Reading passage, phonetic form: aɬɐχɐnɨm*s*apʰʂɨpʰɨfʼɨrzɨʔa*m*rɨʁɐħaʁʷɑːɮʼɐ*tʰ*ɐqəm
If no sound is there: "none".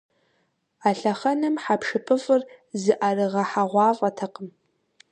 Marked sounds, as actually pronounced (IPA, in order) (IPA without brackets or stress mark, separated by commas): ħ, none, tʰ